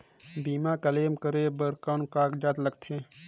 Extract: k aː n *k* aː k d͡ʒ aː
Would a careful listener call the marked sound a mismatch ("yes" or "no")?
no